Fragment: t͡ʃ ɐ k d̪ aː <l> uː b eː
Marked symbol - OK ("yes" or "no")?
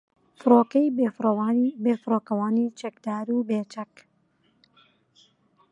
no